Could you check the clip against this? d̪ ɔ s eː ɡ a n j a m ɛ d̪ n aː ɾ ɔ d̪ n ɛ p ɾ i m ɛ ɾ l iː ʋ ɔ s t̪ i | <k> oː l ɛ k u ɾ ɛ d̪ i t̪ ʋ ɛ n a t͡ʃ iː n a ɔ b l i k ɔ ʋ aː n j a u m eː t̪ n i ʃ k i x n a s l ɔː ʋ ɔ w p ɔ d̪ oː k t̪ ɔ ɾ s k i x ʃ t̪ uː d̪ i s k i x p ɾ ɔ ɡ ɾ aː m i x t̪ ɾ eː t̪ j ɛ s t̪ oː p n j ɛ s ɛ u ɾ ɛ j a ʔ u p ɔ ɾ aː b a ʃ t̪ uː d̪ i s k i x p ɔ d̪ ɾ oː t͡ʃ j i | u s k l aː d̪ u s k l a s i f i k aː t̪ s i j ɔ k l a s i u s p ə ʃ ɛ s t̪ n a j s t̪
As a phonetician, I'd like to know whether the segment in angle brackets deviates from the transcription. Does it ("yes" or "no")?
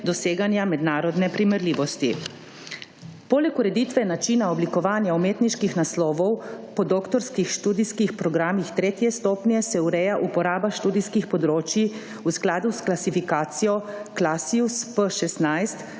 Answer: yes